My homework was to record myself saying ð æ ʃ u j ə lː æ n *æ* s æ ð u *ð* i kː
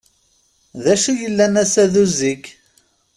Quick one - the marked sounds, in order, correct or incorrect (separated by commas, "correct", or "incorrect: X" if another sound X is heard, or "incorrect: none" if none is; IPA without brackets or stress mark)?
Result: correct, incorrect: z